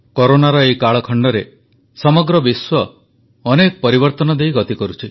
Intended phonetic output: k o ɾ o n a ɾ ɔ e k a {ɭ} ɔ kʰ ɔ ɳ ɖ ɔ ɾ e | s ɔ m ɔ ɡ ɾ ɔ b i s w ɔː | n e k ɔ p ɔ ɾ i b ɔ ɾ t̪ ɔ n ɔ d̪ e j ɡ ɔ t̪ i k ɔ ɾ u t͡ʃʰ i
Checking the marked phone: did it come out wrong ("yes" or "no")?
no